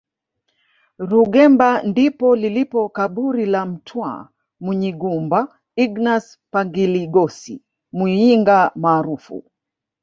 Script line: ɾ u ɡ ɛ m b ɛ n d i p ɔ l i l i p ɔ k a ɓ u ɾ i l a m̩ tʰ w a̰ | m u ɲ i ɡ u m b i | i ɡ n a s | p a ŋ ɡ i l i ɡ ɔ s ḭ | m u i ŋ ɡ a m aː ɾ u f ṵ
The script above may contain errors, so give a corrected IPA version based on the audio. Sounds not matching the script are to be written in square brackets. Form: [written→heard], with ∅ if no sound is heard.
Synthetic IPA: ɾ u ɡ ɛ m b [ɛ→a] n d i p ɔ l i l i p ɔ k a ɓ u ɾ i l a m̩ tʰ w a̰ | m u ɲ i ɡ u m b [i→a] | i ɡ n a s | p a ŋ ɡ i l i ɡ ɔ s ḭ | m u i ŋ ɡ a m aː ɾ u f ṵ

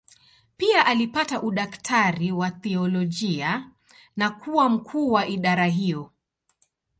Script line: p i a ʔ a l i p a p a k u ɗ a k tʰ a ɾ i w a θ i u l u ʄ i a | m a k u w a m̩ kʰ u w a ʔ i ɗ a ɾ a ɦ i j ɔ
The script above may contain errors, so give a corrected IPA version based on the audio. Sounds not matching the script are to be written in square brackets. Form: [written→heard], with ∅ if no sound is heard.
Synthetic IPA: p i a ʔ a l i p a [p→t] a [k→ʔ] u ɗ a k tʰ a ɾ i w a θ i [u→ɔ] l [u→ɔ] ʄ i a | [m→n] a k u w a m̩ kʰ [u→uː] w a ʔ i ɗ a ɾ a ɦ i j ɔ

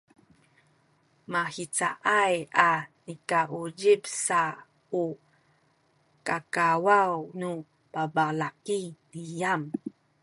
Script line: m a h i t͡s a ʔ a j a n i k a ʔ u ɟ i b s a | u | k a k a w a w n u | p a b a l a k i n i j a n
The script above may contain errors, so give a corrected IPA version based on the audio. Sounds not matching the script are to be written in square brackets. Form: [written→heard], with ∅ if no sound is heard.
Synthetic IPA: m a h i t͡s a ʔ a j a n i k a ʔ u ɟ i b s a | u | k a k a w a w n u | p a b a l a k i n i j a [n→m]

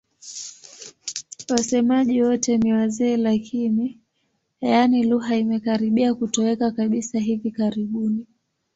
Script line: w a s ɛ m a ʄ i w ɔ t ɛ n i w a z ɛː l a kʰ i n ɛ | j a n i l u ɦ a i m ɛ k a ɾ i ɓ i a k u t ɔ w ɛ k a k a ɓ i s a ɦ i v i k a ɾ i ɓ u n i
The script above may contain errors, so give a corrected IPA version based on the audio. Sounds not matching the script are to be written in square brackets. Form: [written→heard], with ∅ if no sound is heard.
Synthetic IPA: w a s ɛ m a ʄ i w ɔ t ɛ n i w a z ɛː l a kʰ i n [ɛ→i] | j a n i l u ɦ a i m ɛ k a ɾ i ɓ i a k u t ɔ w ɛ k a k a ɓ i s a ɦ i v i k a ɾ i ɓ u n i

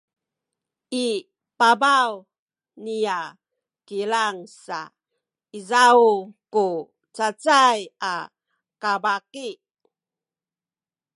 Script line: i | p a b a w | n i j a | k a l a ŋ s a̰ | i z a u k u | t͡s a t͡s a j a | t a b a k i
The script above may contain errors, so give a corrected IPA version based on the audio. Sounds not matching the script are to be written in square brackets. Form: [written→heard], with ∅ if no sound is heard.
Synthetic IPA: i | p a b a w | n i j a | k [a→i] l a ŋ s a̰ | i z a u k u | t͡s a t͡s a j a | [t→k] a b a k i

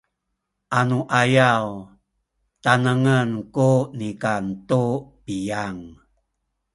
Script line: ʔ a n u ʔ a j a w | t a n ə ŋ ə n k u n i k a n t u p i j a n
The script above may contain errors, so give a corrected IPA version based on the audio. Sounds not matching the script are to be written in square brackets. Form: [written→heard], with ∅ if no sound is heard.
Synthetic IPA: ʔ a n u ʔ a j a w | t a n ə ŋ ə n k u n i k a n t u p i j a [n→ŋ]

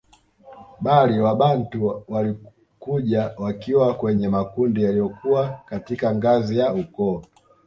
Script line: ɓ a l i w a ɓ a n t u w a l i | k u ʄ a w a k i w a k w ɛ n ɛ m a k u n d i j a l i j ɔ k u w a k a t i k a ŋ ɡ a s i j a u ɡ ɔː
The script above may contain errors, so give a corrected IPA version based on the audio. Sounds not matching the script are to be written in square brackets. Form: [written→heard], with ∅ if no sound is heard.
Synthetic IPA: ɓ a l i w a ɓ a n t u w a l i | k u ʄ a w a k i w a k w ɛ [n→ɲ] ɛ m a k u n d i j a l i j ɔ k u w a k a t i k a ŋ ɡ a [s→z] i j a u [ɡ→k] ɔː

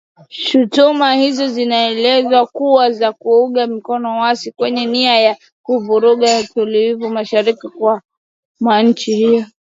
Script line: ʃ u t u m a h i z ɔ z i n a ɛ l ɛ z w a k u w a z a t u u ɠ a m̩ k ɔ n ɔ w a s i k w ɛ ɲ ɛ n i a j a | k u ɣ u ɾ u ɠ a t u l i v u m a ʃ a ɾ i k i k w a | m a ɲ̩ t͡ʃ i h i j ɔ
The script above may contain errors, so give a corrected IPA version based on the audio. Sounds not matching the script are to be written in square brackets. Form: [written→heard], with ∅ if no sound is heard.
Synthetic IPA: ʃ u t u m a h i z ɔ z i n a ɛ l ɛ z w a k u w a z a [t→k] u u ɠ a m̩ k ɔ n ɔ w a s i k w ɛ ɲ ɛ n i a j a | k u [ɣ→v] u ɾ u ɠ a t u l i v u m a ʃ a ɾ i k i k w a | m a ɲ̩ t͡ʃ i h i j ɔ

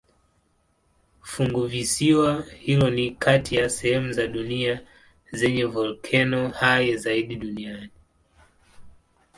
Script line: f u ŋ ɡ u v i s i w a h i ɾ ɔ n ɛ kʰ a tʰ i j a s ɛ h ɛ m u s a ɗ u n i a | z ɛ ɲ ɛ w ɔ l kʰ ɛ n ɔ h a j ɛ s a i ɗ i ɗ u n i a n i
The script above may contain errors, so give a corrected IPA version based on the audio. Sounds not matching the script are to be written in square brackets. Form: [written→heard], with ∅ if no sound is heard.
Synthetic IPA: f u ŋ ɡ u v i s i w a h i [ɾ→l] ɔ n [ɛ→i] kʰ a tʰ i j a s ɛ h ɛ m u [s→z] a ɗ u n i a | z ɛ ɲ ɛ [w→v] ɔ l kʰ ɛ n ɔ h a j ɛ [s→z] a i ɗ i ɗ u n i a n i

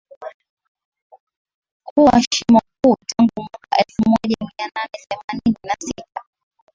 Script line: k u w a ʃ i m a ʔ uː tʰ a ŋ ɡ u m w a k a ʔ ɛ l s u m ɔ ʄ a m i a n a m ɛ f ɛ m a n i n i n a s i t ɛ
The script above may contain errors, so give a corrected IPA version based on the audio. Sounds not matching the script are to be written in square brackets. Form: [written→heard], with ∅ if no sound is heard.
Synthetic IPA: k u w a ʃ i m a [ʔ→k] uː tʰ a ŋ ɡ u m w a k a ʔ ɛ l [s→f] u m ɔ ʄ a m i a n a [m→n] ɛ [f→θ] ɛ m a n i n i n a s i t [ɛ→a]

